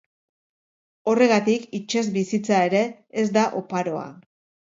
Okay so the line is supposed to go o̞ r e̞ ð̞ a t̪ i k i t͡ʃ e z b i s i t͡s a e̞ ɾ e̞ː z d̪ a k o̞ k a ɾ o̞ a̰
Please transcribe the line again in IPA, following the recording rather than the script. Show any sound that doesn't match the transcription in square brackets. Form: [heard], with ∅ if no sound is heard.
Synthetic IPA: o̞ r e̞ [ɣ̞] a t̪ i k i t͡ʃ e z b i s i t͡s a e̞ ɾ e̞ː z d̪ a [ʔ] o̞ [p] a ɾ o̞ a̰